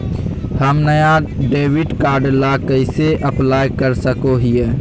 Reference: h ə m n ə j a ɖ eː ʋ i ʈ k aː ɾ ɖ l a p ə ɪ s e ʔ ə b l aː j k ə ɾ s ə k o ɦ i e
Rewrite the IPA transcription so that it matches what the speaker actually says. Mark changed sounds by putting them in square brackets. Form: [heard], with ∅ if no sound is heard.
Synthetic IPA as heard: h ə m n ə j a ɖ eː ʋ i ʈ k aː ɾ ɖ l a [k] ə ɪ s e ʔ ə [p] l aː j k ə ɾ s ə k o ɦ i e

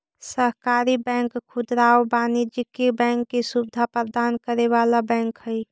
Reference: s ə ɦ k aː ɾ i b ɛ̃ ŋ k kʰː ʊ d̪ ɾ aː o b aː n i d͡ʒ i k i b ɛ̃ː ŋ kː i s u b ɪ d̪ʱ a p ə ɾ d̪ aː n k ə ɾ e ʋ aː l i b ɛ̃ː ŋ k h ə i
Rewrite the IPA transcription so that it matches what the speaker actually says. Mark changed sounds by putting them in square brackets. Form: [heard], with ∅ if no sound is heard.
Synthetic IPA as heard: s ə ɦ k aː ɾ i b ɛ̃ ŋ k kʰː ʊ d̪ ɾ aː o b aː n i d͡ʒ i k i b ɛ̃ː ŋ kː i s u b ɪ d̪ʱ a p ə ɾ d̪ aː n k ə ɾ e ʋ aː l [a] b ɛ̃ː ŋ k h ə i

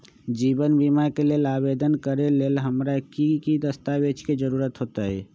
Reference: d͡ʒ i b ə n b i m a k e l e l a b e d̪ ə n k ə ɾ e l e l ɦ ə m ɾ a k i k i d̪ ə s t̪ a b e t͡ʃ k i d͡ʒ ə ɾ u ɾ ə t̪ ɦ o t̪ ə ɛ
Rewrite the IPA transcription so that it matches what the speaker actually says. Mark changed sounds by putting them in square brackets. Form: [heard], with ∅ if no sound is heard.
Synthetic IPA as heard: d͡ʒ i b ə n b i m a k e l e l a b e d̪ ə n k ə ɾ e l e l ɦ ə m ɾ a k i k i d̪ ə s t̪ a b e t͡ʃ k [e] d͡ʒ ə ɾ u ɾ ə t̪ ɦ o t̪ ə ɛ

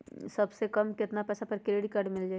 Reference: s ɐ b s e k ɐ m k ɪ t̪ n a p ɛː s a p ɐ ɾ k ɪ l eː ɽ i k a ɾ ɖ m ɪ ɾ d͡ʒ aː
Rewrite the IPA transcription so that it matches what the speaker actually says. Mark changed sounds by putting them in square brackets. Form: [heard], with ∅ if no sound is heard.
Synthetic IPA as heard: s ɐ b s e k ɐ m k ɪ t̪ n a p ɛː s a p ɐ ɾ k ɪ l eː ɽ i k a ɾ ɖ m ɪ [l] d͡ʒ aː

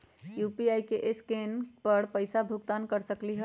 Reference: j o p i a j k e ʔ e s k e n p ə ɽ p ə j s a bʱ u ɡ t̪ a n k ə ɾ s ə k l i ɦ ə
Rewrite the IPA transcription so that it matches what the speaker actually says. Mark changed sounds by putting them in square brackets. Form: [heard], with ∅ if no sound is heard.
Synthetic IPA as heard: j [u] p i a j k e ʔ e s k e n p ə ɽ p ə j s a bʱ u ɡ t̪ a n k ə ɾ s ə k l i ɦ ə

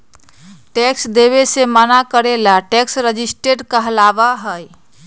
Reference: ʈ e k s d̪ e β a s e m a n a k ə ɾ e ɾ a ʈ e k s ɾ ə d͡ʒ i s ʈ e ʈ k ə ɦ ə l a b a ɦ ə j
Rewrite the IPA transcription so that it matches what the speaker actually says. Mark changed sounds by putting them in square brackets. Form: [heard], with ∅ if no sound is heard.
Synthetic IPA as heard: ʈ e k s d̪ e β [e] s e m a n a k ə ɾ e [l] a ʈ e k s ɾ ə d͡ʒ i s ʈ e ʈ k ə ɦ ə l a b a ɦ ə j

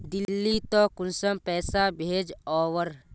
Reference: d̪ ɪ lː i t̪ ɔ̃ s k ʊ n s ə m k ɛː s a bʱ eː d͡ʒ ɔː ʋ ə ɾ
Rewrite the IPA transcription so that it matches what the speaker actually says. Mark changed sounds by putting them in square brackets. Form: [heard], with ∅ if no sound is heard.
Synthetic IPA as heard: d̪ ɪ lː i t̪ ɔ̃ [∅] k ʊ n s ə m [p] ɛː s a bʱ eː d͡ʒ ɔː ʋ ə ɾ

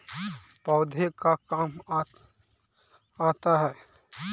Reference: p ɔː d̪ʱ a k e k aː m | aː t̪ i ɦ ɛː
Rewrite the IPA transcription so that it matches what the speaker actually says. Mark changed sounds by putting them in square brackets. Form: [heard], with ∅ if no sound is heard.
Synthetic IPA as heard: p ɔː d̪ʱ [e] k [a] k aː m | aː t̪ [a] ɦ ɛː

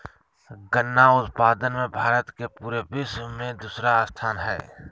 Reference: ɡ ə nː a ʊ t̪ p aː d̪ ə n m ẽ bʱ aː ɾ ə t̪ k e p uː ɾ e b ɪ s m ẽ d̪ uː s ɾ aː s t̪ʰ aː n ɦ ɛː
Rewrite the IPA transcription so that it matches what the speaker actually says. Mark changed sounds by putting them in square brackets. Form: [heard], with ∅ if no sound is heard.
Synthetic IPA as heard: ɡ ə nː a ʊ t̪ p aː d̪ ə n m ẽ bʱ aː ɾ ə t̪ k e p uː ɾ e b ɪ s m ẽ d̪ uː s ɾ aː s t̪ʰ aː n ɦ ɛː

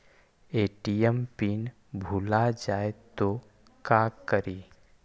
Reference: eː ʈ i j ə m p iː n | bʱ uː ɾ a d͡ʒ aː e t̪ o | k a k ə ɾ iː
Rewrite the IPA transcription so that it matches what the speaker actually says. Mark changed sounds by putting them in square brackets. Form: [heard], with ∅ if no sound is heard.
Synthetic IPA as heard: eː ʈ i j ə m p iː n | bʱ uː [l] a d͡ʒ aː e t̪ o | k a k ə ɾ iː

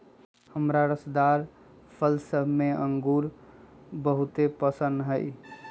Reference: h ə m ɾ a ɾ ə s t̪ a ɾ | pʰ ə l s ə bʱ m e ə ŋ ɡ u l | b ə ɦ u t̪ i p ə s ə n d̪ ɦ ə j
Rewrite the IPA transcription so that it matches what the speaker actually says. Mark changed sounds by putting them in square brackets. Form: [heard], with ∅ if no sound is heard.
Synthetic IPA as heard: h ə m ɾ a ɾ ə s [d̪] a ɾ | pʰ ə l s ə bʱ m e ə ŋ ɡ u [ɾ] | b ə ɦ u t̪ [e] p ə s ə n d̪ ɦ ə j

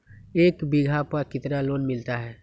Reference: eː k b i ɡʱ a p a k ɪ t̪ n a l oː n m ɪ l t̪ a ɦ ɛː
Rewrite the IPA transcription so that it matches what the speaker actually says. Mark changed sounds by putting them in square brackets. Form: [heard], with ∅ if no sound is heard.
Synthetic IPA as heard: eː k b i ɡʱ a p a k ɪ t̪ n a l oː n m ɪ l t̪ a ɦ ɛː

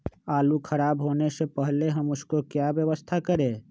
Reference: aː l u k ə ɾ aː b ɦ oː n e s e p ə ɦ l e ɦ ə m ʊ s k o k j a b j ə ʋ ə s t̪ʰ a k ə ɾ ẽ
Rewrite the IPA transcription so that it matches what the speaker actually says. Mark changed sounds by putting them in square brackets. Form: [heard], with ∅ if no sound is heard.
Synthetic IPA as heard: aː l u [kʰ] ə ɾ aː b ɦ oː n e s e p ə ɦ l e ɦ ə m ʊ s k o k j a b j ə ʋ ə s t̪ʰ a k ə ɾ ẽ

